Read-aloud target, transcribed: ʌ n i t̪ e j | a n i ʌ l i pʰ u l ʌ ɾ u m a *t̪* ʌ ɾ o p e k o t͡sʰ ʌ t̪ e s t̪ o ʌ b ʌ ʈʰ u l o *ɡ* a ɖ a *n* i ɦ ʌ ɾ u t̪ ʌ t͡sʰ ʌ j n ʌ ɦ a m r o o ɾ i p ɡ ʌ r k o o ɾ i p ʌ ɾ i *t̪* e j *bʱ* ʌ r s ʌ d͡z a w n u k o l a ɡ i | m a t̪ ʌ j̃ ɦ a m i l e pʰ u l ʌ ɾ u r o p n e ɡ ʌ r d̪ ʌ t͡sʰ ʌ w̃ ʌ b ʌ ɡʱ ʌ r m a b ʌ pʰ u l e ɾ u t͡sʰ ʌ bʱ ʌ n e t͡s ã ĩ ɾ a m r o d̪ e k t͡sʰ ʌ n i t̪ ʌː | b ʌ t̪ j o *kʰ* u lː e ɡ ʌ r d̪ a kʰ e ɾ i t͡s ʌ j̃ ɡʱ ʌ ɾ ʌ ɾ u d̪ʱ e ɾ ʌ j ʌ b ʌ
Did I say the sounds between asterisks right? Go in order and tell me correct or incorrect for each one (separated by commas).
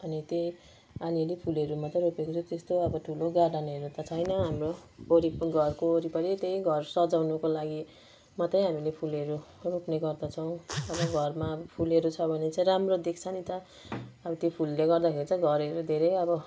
correct, correct, correct, correct, incorrect, incorrect